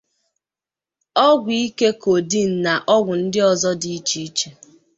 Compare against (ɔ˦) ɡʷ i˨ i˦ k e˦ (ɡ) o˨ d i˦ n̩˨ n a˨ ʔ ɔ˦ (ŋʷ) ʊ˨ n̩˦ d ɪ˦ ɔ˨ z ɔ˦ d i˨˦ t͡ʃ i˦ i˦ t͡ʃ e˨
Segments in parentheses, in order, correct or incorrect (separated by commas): correct, incorrect, incorrect